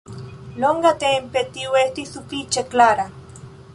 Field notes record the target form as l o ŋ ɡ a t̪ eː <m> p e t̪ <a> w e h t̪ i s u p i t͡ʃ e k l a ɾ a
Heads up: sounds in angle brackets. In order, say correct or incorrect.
correct, incorrect: i

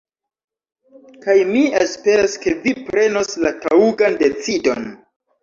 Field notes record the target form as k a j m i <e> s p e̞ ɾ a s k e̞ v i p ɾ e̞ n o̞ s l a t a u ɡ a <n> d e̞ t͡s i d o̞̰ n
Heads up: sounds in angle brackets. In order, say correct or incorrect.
correct, correct

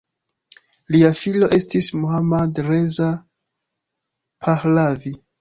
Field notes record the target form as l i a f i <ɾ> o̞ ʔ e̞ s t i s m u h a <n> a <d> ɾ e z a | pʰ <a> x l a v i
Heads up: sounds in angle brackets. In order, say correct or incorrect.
incorrect: l, incorrect: m, correct, correct

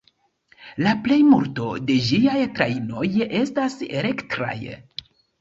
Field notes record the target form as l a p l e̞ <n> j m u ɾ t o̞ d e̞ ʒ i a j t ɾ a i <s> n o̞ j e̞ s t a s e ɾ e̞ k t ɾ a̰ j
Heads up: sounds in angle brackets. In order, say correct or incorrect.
incorrect: none, incorrect: none

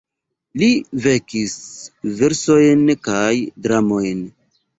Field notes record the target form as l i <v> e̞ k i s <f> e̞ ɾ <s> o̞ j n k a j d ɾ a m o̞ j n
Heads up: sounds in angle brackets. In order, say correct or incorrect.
correct, incorrect: v, correct

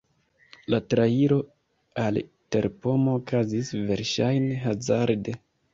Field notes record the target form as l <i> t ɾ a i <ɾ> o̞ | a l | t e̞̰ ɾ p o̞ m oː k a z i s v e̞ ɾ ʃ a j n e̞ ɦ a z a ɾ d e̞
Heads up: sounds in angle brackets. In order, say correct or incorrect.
incorrect: a, correct

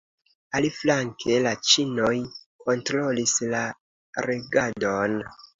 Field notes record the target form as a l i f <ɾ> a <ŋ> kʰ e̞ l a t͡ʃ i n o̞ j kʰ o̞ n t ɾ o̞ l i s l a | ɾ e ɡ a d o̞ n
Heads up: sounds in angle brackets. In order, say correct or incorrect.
incorrect: l, correct

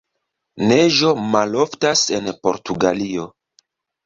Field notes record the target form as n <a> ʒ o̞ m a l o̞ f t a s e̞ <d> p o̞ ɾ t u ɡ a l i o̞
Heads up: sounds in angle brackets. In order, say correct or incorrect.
incorrect: e, incorrect: n

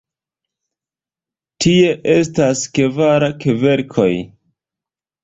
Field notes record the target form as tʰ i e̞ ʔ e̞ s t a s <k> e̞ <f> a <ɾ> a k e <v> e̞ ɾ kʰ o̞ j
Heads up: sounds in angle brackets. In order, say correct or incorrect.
correct, incorrect: v, correct, correct

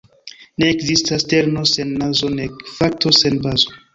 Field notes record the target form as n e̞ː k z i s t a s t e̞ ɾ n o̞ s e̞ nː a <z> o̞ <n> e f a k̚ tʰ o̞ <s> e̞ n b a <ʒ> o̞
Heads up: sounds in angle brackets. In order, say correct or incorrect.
correct, correct, correct, incorrect: z

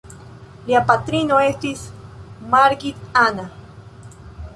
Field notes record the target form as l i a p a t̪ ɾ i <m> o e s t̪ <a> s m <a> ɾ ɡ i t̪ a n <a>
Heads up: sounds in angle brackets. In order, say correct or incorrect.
incorrect: n, incorrect: i, correct, correct

